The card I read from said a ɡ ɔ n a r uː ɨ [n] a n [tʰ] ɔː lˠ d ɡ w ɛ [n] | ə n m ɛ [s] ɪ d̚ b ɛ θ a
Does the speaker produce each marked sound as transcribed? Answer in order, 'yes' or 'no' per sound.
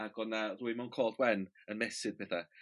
no, no, yes, yes

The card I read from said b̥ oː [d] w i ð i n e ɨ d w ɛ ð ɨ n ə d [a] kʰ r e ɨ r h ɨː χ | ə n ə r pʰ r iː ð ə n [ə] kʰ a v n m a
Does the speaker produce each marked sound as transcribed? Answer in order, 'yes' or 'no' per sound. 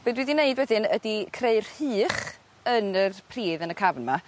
yes, no, yes

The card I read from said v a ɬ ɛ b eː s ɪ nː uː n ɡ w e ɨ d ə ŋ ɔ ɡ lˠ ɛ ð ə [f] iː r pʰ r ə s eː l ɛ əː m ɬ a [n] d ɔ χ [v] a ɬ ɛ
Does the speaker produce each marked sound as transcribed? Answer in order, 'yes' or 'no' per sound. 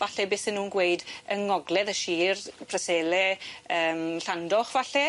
no, yes, yes

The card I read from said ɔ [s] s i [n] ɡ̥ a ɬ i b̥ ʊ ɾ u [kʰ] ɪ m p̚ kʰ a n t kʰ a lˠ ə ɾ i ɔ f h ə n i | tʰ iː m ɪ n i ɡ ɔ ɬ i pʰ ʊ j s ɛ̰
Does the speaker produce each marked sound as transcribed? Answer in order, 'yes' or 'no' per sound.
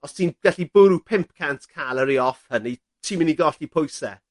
yes, yes, no

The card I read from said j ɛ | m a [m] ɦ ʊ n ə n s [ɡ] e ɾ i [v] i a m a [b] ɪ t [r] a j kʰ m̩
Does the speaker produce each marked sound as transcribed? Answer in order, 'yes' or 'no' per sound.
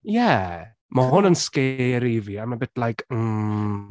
no, no, yes, yes, no

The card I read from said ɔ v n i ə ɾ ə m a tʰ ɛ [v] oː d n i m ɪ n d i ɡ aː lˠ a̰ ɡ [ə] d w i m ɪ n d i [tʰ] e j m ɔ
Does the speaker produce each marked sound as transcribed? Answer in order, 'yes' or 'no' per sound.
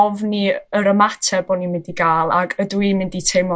no, yes, yes

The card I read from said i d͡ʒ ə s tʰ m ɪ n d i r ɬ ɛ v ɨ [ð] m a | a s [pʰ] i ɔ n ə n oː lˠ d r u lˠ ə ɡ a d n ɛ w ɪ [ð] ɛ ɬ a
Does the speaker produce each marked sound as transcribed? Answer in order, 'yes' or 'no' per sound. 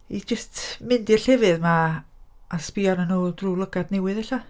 yes, no, yes

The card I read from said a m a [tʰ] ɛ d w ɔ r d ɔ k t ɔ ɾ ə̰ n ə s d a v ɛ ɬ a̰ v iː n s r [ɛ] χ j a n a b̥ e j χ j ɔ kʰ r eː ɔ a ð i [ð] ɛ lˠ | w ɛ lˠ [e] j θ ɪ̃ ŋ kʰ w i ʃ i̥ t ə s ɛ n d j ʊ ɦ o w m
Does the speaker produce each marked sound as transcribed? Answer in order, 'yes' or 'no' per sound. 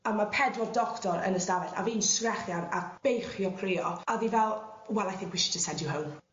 no, yes, no, no

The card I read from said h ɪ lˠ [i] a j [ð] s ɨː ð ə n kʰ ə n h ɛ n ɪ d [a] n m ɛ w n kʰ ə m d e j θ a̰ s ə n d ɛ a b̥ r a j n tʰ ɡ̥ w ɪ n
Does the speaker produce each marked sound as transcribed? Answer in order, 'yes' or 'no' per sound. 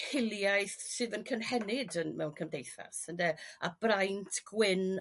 no, no, no

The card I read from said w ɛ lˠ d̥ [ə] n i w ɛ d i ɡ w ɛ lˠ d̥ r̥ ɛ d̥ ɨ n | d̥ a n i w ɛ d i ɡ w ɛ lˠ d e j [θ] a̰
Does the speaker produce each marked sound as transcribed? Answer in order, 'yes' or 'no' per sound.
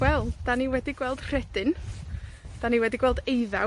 no, no

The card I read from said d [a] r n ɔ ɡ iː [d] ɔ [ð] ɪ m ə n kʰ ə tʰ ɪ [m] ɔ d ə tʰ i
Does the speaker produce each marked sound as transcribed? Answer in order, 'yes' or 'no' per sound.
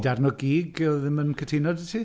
yes, no, yes, no

